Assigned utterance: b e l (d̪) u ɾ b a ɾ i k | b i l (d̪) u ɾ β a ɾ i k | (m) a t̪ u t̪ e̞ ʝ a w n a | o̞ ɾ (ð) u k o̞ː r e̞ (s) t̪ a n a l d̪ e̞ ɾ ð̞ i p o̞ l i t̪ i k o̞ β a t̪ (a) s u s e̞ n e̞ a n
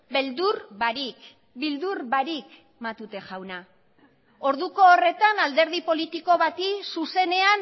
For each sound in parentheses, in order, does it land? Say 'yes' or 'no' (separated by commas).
yes, yes, yes, yes, no, no